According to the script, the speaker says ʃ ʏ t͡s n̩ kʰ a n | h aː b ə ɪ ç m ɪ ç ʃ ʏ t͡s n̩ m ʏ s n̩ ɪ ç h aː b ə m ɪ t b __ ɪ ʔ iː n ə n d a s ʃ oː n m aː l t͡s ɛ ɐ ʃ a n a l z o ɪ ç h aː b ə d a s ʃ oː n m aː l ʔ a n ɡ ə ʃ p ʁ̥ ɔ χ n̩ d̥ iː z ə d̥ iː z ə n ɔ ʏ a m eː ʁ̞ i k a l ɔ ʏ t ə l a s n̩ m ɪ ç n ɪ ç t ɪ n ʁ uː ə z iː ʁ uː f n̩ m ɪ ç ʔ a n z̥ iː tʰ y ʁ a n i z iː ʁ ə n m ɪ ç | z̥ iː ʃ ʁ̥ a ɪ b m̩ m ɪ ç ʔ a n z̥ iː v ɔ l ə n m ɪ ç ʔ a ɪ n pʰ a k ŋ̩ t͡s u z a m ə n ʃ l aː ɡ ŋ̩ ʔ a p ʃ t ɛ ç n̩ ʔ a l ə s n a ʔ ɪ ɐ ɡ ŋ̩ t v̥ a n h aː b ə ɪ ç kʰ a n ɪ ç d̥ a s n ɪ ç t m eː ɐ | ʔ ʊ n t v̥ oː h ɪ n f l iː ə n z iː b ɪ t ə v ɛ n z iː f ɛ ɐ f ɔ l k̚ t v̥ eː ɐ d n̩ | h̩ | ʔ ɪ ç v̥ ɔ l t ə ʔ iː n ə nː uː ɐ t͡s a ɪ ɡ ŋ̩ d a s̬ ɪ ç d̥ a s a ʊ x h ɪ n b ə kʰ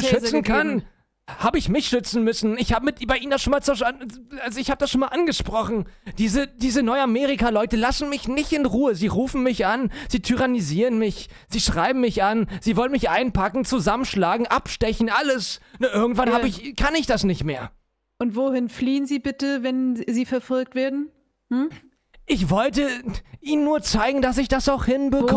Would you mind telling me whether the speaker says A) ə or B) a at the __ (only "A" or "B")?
B